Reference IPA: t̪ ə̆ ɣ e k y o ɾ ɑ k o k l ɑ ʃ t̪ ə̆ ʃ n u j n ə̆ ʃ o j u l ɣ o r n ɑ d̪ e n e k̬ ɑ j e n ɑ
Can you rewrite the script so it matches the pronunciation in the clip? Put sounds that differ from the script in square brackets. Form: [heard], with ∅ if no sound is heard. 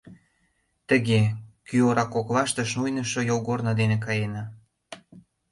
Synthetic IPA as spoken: t̪ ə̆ ɣ e k y o ɾ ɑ k o k l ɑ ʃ t̪ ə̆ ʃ n u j n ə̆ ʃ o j [o] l ɣ o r n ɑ d̪ e n e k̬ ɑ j e n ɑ